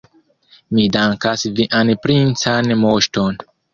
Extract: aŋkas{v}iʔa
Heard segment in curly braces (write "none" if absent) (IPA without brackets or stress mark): v